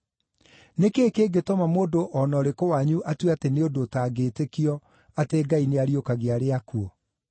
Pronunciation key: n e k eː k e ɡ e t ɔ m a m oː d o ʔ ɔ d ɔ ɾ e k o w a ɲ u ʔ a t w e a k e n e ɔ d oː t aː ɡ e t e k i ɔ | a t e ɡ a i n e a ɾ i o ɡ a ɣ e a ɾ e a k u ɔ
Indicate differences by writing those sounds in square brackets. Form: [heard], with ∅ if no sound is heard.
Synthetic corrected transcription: n e k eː k e ɡ e t ɔ m a m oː d o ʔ ɔ [n] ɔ ɾ e k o w a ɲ u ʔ a t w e a [t] e n e [o] d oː t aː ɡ e t e k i ɔ | a t e ɡ a i n e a ɾ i o [k] a ɣ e a ɾ e a k u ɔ